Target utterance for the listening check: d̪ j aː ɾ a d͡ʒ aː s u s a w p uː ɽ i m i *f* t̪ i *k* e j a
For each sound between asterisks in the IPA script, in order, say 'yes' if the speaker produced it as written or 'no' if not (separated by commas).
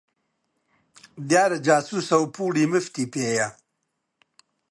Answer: yes, no